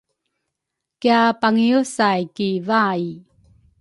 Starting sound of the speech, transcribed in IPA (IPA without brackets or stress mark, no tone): k